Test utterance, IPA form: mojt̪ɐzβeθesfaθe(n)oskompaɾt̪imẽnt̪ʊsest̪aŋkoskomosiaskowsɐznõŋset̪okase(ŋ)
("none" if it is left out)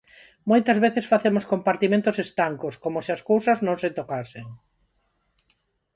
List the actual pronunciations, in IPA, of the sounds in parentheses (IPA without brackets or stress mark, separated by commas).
m, ŋ